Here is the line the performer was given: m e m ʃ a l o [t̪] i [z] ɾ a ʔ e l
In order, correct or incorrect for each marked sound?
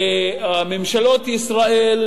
correct, incorrect: s

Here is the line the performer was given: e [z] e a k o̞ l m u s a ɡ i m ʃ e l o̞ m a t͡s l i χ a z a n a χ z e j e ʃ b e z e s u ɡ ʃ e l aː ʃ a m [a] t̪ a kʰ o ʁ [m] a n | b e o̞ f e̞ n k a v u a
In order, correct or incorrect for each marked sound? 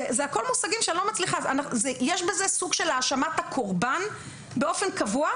correct, correct, incorrect: b

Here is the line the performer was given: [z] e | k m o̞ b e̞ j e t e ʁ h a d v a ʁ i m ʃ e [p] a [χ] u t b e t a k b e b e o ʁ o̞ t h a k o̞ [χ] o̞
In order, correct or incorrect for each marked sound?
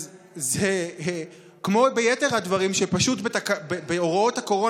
correct, correct, incorrect: ʃ, incorrect: ʁ

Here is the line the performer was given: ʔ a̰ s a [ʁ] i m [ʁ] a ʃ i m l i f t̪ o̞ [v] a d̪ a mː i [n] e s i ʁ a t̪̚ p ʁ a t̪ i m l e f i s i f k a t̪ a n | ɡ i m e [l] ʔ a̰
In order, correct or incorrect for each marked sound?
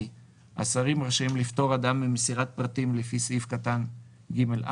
correct, correct, incorrect: ʁ, incorrect: m, correct

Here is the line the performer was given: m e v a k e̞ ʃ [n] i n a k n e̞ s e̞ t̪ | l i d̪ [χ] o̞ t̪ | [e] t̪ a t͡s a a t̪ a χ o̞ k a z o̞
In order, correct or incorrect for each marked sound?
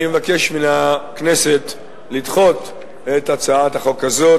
incorrect: m, correct, correct

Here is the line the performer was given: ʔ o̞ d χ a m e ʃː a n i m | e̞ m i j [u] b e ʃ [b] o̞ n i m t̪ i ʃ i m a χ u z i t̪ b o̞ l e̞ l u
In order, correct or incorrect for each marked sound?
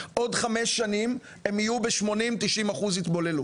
correct, incorrect: m

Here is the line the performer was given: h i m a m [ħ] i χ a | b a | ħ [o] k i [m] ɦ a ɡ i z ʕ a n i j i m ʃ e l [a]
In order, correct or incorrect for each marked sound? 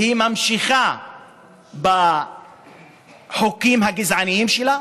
incorrect: ʃ, correct, correct, correct

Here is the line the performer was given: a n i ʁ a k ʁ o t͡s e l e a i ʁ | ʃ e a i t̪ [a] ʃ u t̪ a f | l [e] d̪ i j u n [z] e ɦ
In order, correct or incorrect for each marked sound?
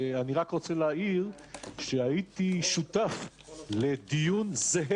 incorrect: i, correct, correct

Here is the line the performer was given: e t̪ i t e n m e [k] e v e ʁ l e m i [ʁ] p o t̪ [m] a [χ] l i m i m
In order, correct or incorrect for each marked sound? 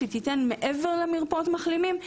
incorrect: ʔ, correct, correct, correct

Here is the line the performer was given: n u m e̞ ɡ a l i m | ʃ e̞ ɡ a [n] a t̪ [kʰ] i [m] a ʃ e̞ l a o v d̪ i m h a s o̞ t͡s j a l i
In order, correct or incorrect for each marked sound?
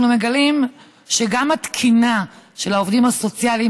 incorrect: m, correct, incorrect: n

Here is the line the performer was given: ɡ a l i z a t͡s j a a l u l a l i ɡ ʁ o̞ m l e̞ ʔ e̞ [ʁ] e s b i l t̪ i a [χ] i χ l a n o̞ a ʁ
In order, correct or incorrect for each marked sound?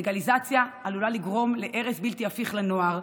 correct, incorrect: f

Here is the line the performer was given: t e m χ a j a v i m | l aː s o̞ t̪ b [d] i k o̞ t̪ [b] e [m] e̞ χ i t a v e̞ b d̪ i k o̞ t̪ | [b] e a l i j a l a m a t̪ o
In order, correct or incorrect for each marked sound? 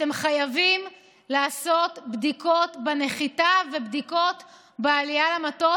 correct, correct, incorrect: n, correct

